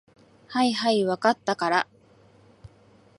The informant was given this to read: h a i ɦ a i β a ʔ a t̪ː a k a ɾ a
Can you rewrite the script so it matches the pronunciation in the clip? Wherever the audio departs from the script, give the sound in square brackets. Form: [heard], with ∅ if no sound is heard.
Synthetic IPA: h a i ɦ a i β a [k] a t̪ː a k a ɾ a